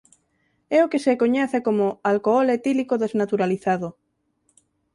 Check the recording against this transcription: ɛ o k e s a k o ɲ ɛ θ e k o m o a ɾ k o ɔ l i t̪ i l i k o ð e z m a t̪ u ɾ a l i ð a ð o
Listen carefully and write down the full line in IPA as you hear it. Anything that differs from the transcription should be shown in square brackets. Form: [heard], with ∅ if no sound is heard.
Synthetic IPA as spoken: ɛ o k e s [e] k o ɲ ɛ θ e k o m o a [l] k o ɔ l [e] t̪ i l i k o ð e z [n] a t̪ u ɾ a l i [θ] a ð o